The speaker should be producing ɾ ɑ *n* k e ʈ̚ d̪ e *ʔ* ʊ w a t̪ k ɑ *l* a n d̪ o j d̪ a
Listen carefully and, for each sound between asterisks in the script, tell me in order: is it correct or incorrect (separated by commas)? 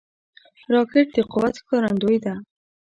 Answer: incorrect, incorrect, incorrect